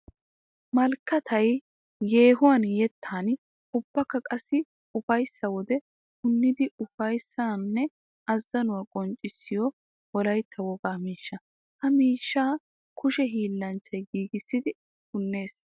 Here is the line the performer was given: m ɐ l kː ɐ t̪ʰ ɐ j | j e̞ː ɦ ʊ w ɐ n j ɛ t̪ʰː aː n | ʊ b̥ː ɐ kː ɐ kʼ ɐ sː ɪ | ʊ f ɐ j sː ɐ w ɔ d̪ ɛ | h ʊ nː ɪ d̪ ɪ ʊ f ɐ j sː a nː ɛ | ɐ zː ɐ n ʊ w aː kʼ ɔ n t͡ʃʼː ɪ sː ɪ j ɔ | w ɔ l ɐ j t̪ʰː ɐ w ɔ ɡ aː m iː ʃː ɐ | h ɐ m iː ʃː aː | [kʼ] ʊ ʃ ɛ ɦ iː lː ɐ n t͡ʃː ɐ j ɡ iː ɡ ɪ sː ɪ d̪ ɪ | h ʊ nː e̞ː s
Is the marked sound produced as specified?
no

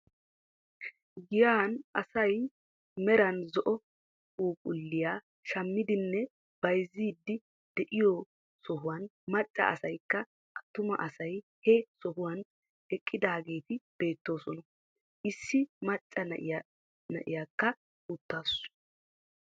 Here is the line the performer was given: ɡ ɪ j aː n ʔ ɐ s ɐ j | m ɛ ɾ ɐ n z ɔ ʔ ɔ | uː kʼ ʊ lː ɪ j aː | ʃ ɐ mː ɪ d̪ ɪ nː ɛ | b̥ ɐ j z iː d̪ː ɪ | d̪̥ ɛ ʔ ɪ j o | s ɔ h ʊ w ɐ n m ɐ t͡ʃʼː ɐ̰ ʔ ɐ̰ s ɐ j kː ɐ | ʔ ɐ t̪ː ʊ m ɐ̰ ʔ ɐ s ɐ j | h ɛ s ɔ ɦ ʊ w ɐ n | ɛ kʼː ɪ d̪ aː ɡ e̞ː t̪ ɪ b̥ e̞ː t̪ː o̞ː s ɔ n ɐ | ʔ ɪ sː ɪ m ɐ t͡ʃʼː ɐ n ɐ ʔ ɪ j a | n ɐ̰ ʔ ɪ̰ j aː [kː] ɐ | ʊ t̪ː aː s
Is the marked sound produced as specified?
yes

